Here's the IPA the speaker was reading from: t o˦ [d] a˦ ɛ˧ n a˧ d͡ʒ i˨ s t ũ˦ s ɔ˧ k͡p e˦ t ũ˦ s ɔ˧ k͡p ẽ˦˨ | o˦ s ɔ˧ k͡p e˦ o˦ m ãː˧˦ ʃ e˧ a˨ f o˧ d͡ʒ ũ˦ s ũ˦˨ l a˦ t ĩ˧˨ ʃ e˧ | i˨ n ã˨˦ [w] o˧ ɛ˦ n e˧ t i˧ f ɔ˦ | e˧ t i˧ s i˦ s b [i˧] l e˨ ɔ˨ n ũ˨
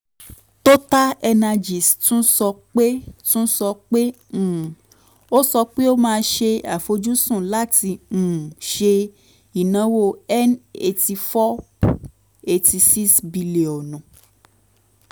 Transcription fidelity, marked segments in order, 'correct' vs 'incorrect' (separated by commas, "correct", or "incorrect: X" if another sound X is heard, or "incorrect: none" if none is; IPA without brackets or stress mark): incorrect: t, correct, correct